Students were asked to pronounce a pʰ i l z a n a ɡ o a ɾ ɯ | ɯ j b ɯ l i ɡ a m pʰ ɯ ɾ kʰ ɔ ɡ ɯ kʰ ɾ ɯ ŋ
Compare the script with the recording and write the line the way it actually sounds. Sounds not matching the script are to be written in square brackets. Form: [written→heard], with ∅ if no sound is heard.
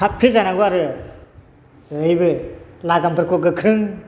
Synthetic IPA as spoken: a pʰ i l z a n a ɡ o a ɾ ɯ | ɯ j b ɯ l [i→a] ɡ a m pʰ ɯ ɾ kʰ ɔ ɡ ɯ kʰ ɾ ɯ ŋ